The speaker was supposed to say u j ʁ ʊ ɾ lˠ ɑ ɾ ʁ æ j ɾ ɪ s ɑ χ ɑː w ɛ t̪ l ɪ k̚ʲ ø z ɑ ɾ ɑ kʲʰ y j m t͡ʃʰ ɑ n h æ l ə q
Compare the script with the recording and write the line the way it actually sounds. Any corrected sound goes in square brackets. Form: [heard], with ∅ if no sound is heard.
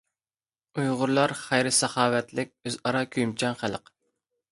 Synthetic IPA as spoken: u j ʁ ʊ ɾ lˠ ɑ ɾ [χ] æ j ɾ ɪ s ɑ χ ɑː w ɛ t̪ l ɪ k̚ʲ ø z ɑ ɾ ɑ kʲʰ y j m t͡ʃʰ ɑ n [χ] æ l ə q